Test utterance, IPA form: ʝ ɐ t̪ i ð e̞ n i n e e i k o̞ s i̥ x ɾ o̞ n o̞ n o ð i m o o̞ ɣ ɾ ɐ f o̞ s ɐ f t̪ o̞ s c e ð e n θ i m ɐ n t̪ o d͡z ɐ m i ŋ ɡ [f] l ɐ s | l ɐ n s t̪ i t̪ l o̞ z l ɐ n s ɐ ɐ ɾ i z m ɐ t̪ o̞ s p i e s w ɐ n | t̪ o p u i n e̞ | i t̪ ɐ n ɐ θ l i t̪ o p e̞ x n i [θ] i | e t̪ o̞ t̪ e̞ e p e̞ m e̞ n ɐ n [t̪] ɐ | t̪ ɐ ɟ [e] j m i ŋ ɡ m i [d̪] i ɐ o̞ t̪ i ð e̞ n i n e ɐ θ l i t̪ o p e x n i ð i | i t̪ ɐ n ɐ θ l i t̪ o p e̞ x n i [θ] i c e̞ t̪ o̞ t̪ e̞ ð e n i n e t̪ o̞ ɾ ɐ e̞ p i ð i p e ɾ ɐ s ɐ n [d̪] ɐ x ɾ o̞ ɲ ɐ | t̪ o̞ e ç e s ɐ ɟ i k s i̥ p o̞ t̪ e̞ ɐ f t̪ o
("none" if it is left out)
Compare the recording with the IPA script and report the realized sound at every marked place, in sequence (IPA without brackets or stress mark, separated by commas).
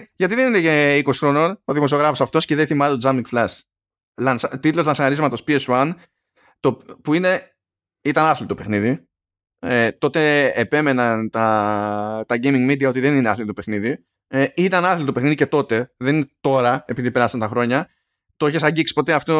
f, ð, t̪, e, d̪, ð, t̪